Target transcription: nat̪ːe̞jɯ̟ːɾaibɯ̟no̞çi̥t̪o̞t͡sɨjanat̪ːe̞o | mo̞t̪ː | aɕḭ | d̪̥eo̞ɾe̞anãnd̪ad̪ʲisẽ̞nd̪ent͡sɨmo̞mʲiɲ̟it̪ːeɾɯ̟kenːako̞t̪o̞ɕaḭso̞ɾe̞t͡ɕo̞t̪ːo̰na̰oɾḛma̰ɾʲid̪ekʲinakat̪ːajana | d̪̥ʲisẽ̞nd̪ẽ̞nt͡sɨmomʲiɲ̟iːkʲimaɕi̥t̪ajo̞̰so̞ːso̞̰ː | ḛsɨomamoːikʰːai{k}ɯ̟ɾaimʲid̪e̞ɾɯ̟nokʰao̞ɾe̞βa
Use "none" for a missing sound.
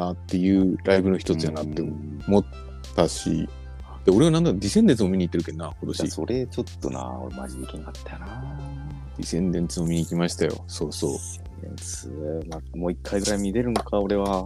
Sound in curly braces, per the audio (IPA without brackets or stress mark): ɡ